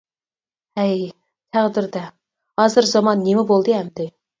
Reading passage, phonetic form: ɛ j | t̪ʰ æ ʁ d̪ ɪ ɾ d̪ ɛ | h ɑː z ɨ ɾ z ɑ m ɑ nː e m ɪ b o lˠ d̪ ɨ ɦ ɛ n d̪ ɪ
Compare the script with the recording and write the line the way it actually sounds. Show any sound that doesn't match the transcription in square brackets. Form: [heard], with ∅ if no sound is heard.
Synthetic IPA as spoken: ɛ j | t̪ʰ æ ʁ d̪ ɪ ɾ d̪ ɛ | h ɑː z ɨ ɾ z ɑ m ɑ nː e m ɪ b o lˠ d̪ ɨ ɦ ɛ [m] d̪ ɪ